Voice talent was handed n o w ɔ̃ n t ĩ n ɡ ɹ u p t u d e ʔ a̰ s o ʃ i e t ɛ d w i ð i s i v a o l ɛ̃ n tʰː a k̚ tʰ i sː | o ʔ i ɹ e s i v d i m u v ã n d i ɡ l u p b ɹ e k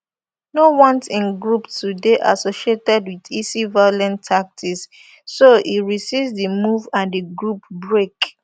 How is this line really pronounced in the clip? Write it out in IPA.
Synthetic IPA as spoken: n o w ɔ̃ n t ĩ n ɡ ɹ u p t u d e ʔ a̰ s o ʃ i e t ɛ d w i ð i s i v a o l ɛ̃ n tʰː a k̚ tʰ i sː | o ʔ i ɹ i s i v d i m u v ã n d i ɡ ɹ u p b ɹ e k